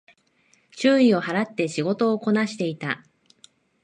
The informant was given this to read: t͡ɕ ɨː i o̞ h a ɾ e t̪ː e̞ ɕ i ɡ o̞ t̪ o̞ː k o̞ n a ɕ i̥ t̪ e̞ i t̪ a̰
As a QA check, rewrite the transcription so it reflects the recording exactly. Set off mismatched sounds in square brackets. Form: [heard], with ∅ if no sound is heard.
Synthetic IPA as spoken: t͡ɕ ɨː i o̞ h a ɾ [a] t̪ː e̞ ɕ i ɡ o̞ t̪ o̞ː k o̞ n a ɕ i̥ t̪ e̞ i t̪ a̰